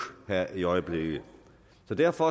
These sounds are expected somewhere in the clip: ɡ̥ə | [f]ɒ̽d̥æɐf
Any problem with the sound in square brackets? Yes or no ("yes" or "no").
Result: yes